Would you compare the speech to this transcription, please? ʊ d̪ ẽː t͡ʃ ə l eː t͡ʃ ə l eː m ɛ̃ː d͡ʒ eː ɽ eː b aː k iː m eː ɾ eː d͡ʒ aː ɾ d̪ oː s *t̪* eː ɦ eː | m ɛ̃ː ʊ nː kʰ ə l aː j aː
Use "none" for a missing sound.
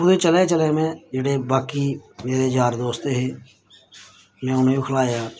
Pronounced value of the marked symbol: t̪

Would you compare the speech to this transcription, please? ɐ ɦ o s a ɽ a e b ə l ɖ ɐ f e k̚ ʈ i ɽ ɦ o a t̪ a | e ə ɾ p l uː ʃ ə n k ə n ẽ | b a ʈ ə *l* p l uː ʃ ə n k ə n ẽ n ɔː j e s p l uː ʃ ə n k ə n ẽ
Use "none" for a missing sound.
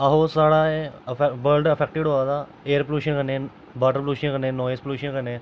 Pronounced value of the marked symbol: ɾ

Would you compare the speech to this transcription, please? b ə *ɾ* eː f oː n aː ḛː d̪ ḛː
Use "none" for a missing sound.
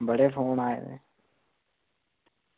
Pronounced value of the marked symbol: ɽ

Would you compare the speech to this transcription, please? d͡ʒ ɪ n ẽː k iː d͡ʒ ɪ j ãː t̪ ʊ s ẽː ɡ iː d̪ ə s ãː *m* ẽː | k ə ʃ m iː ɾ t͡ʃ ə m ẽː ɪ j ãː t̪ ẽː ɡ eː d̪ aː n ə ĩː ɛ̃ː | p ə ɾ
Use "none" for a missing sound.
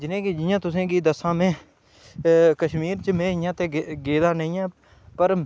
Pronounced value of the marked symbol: m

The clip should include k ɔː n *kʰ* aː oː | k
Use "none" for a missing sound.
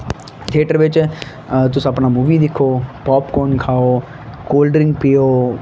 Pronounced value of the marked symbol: kʰ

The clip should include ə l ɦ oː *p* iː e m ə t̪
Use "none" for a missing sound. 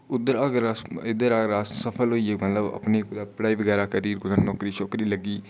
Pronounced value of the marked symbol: none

